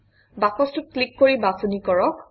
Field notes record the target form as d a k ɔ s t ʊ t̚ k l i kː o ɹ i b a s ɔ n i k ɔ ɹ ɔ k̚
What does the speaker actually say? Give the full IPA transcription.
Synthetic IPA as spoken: b a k ɔ s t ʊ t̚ k l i kː o ɹ i b a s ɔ n i k ɔ ɹ ɔ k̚